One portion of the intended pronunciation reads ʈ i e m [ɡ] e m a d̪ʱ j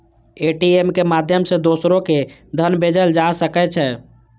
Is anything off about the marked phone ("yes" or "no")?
yes